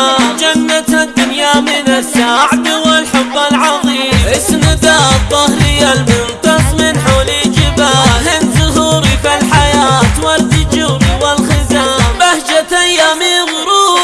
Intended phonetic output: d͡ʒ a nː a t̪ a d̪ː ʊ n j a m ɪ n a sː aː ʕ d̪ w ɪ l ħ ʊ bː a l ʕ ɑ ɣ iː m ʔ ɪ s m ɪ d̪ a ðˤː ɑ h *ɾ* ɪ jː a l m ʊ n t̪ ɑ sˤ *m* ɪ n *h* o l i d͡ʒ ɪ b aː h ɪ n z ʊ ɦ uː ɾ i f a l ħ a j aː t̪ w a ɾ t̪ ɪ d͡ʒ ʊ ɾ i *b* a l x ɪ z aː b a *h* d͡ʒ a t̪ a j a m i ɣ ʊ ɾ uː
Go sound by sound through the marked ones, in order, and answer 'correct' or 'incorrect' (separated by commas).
correct, correct, incorrect, incorrect, correct